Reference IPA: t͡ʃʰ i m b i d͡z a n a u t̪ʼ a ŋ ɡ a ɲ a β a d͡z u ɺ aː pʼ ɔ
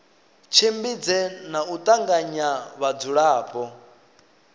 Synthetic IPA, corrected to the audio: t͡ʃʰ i m b i d͡z ɛ n a u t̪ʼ a ŋ ɡ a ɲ a β a d͡z u ɺ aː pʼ ɔ